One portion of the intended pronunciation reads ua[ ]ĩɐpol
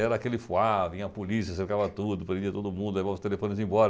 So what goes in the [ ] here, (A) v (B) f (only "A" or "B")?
A